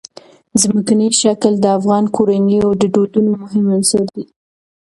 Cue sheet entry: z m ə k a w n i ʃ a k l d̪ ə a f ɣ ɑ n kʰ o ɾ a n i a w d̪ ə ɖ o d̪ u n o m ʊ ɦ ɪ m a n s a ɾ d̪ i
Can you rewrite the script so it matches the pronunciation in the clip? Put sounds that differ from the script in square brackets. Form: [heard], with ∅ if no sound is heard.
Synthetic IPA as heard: z m ə k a [∅] n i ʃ a k l d̪ ə a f ɣ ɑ n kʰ o ɾ a n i a w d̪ ə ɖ o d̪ u n o m ʊ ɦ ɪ m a n s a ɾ d̪ i